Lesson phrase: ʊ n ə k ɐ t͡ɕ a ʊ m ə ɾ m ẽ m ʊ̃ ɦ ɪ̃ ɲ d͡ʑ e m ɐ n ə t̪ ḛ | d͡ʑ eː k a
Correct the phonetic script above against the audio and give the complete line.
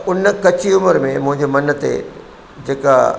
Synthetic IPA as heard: ʊ n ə k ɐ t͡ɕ i ʊ m ə ɾ m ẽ m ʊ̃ ɦ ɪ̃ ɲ d͡ʑ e m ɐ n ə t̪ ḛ | d͡ʑ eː k a